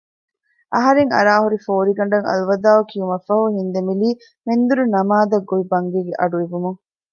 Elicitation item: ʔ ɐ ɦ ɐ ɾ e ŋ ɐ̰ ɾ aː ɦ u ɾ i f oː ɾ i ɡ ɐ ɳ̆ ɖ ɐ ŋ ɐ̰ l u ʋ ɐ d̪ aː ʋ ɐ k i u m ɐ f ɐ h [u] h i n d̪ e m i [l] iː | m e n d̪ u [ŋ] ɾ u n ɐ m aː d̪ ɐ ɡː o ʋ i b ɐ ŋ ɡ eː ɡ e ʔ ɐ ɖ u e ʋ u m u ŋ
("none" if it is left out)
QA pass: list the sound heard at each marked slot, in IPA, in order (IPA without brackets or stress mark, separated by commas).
u, l, none